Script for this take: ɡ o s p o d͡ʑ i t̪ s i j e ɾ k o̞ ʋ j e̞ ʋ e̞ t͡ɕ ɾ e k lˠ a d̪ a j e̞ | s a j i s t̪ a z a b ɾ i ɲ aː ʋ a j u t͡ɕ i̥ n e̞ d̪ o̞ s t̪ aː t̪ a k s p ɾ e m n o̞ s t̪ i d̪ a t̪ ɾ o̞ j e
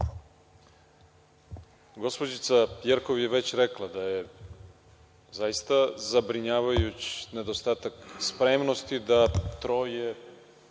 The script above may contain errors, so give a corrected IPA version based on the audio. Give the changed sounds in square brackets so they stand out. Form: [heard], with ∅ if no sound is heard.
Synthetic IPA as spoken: ɡ o s p o d͡ʑ i t̪ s [a] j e ɾ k o̞ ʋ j e̞ ʋ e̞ t͡ɕ ɾ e k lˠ a d̪ a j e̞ | [z] a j i s t̪ a z a b ɾ i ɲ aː ʋ a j u t͡ɕ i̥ n e̞ d̪ o̞ s t̪ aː t̪ a k s p ɾ e m n o̞ s t̪ i d̪ a t̪ ɾ o̞ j e